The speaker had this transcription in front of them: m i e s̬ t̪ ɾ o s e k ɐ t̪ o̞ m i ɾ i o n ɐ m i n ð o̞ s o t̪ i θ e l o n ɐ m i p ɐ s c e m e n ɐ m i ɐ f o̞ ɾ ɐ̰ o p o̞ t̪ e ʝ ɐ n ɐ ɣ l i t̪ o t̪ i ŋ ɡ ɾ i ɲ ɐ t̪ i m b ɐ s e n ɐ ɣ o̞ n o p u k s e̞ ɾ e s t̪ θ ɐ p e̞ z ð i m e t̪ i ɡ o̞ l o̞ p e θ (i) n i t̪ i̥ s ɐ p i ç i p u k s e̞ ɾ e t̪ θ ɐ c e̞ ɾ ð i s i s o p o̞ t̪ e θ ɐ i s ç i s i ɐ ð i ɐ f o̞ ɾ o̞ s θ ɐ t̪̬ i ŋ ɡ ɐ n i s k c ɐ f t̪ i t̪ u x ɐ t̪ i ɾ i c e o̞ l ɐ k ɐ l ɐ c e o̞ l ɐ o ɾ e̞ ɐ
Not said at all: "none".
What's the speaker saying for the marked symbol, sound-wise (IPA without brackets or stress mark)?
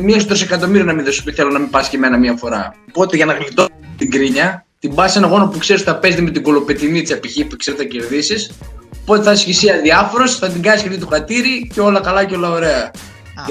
i